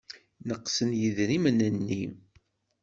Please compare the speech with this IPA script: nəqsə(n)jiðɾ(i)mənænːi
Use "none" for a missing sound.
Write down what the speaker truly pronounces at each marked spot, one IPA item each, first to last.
n, i

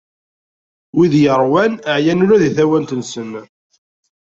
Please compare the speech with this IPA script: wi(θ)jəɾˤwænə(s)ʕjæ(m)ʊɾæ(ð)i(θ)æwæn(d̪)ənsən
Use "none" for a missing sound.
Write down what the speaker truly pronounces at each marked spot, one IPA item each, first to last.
ð, none, n, ð, θ, t̪

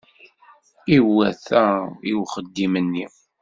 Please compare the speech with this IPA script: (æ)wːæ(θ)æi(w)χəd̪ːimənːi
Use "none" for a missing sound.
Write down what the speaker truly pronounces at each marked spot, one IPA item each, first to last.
i, θ, w

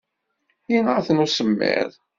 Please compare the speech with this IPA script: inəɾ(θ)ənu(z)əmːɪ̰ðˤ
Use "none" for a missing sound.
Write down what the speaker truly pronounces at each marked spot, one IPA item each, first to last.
θ, s

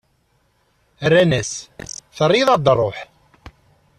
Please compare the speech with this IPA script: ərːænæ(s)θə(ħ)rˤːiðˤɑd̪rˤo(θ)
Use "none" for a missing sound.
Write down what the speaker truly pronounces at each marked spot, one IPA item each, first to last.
s, none, ħ

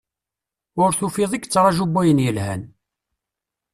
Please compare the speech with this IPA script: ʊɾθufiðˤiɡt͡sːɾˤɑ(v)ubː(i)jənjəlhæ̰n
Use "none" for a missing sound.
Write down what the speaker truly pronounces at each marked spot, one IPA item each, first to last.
ʒ, æ

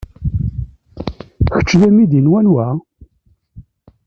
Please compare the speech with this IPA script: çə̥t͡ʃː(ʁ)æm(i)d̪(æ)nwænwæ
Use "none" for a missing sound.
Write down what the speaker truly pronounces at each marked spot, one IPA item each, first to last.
ð, i, i

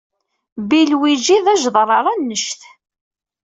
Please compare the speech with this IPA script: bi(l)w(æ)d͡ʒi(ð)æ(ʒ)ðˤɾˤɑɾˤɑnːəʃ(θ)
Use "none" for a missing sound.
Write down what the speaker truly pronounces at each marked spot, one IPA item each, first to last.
l, i, ð, ʒ, θ

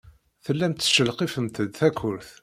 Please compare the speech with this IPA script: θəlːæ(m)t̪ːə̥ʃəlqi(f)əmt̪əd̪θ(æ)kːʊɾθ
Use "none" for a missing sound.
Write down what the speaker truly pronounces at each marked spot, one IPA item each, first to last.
m, f, æ

